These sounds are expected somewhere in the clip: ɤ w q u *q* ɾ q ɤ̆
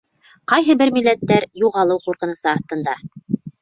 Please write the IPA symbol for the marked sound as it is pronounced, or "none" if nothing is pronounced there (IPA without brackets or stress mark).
none